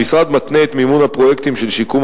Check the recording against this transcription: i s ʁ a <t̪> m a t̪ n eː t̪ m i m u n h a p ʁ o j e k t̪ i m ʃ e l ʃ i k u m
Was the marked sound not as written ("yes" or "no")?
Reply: yes